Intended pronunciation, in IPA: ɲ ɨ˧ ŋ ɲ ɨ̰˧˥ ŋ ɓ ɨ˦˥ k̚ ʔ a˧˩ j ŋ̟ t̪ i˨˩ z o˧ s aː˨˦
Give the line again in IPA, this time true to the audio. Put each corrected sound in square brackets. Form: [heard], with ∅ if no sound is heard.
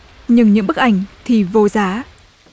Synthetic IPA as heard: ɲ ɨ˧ ŋ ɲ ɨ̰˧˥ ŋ ɓ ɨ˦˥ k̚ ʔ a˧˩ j ŋ̟ [t̪ʰ] i˨˩ [v] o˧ [z] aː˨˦